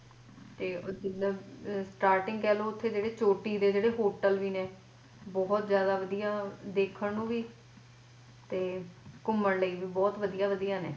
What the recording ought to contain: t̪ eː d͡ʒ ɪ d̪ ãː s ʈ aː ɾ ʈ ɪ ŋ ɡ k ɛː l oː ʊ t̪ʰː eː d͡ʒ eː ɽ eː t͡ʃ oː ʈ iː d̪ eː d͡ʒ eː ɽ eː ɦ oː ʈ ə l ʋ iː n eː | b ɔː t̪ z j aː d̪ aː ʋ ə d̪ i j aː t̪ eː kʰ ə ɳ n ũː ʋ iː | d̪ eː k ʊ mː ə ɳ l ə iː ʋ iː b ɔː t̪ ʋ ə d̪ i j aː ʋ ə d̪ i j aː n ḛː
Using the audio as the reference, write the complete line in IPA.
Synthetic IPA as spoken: t̪ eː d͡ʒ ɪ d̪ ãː s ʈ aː ɾ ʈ ɪ ŋ ɡ k ɛː l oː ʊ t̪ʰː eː d͡ʒ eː ɽ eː t͡ʃ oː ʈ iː d̪ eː d͡ʒ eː ɽ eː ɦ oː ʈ ə l ʋ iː n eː | b ɔː t̪ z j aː d̪ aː ʋ ə d̪ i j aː d̪ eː kʰ ə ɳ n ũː ʋ iː | t̪ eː k ʊ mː ə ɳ l ə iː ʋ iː b ɔː t̪ ʋ ə d̪ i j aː ʋ ə d̪ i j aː n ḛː

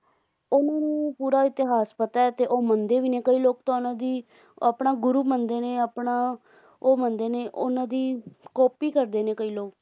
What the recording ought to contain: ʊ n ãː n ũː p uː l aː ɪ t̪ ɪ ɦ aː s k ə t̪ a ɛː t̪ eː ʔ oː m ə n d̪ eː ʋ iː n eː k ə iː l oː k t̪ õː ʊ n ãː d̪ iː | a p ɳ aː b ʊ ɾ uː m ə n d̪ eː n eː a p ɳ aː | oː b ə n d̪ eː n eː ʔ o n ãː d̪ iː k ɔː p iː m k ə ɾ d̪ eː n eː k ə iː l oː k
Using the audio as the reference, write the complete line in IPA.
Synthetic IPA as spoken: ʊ n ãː n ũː p uː ɾ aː ɪ t̪ ɪ ɦ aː s p ə t̪ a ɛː t̪ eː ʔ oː m ə n d̪ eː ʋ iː n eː k ə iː l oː k t̪ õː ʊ n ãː d̪ iː | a p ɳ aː ɡ ʊ ɾ uː m ə n d̪ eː n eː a p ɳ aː | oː m ə n d̪ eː n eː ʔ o n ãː d̪ iː k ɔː p iː k ə ɾ d̪ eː n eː k ə iː l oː k

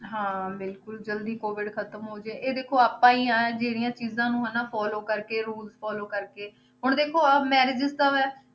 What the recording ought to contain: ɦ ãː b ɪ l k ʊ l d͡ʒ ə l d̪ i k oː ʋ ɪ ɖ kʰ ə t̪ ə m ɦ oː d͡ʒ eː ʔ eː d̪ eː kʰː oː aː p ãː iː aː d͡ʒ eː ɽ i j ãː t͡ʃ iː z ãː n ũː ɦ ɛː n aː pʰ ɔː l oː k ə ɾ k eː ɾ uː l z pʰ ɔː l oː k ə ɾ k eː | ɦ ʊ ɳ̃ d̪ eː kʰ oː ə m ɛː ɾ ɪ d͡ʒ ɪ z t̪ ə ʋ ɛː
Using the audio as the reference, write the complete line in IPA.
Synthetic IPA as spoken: ɦ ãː b ɪ l k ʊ l d͡ʒ ə l d̪ iː k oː ʋ ɪ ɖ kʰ ə t̪ ə m ɦ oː d͡ʒ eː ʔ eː d̪ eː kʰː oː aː p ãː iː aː d͡ʒ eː ɽ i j ãː t͡ʃ iː z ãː n ũː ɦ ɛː n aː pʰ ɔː l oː k ə ɾ k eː ɾ uː l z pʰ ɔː l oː k ə ɾ k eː | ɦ ʊ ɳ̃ d̪ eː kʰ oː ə m ɛː ɾ ɪ d͡ʒ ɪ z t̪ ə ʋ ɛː

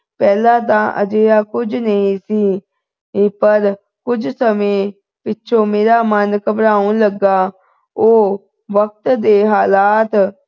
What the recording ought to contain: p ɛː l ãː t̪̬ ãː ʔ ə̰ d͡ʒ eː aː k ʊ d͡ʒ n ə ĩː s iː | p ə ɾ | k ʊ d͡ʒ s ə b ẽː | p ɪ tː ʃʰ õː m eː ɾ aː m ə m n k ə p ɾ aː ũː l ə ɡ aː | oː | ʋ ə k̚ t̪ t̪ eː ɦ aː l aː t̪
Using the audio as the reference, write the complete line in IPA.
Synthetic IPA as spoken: p ɛː l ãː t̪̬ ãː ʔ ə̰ d͡ʒ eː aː k ʊ d͡ʒ n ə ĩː s iː | p ə ɾ | k ʊ d͡ʒ s ə m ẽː | p ɪ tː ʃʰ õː m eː ɾ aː m ə n k ə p ɾ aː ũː l ə ɡ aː | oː | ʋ ə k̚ t̪ d̪ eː ɦ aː l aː t̪

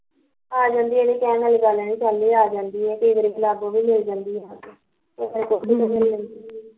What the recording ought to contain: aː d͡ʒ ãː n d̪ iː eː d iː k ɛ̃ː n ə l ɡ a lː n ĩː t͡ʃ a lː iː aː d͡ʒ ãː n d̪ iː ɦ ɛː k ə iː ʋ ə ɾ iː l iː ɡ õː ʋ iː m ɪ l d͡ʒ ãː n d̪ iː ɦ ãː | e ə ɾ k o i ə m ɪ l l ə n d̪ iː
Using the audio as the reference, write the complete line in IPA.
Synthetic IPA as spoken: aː d͡ʒ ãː n d̪ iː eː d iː k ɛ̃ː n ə l ɡ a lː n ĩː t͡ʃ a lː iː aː d͡ʒ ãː n d̪ iː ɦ ɛː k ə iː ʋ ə ɾ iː l aː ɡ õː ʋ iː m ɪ l d͡ʒ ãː n d̪ iː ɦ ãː | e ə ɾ k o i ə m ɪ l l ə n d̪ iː

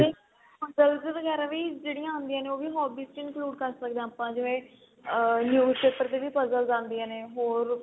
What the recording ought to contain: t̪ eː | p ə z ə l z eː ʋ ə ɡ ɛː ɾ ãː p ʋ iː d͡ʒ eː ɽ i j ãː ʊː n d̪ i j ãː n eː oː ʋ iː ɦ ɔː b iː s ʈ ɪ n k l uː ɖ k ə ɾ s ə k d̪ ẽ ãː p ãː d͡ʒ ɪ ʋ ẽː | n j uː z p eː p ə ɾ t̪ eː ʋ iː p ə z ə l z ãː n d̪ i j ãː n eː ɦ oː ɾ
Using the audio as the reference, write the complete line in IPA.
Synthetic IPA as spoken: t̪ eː | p ə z ə l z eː ʋ ə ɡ ɛː ɾ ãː ʋ iː d͡ʒ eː ɽ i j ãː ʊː n d̪ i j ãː n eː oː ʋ iː ɦ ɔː b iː s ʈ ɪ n k l uː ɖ k ə ɾ s ə k d̪ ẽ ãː p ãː d͡ʒ ɪ ʋ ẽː | n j uː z p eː p ə ɾ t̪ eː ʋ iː p ə z ə l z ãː n d̪ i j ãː n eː ɦ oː ɾ

